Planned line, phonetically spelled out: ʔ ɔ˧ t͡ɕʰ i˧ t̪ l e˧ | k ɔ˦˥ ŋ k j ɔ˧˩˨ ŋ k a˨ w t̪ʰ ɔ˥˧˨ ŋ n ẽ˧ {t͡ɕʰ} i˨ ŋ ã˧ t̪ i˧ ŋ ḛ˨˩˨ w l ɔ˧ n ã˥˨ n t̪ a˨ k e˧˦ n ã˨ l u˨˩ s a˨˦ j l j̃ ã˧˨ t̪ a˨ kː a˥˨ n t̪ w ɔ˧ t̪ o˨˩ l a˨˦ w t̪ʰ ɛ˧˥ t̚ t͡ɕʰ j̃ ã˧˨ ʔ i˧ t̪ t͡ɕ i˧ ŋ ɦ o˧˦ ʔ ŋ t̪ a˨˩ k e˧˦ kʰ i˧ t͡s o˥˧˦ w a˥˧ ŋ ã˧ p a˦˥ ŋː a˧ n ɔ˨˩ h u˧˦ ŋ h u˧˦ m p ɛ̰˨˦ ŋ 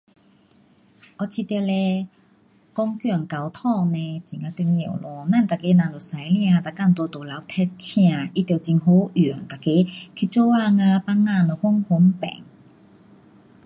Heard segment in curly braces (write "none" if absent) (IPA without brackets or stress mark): t͡ɕ